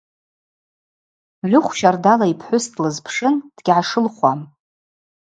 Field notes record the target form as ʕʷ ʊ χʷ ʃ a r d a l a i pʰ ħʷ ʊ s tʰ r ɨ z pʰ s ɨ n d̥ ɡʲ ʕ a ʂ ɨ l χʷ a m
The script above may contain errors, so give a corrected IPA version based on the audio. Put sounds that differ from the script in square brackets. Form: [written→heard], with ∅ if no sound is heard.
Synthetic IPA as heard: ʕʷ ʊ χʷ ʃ a r d a l a i pʰ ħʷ ʊ s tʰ [r→l] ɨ z pʰ [s→ʂ] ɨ n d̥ ɡʲ ʕ a ʂ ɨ l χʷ a m